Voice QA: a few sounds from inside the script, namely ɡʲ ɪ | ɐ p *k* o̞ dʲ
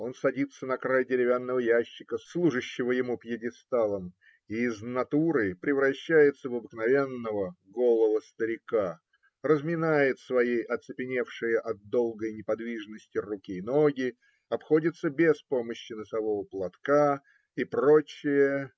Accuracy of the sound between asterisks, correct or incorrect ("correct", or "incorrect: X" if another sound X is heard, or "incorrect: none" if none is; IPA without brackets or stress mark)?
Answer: incorrect: x